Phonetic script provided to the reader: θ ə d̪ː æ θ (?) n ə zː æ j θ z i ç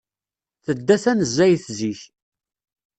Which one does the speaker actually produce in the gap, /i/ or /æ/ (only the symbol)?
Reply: æ